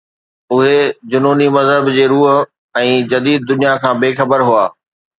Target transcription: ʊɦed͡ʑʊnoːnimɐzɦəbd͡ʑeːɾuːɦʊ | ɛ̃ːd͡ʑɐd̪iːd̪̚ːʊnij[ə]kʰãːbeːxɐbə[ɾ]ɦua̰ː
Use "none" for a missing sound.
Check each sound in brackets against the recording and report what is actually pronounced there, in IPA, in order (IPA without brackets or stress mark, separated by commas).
a, ɾ